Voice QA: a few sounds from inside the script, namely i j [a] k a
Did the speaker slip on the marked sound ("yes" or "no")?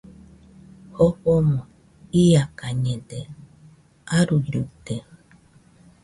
no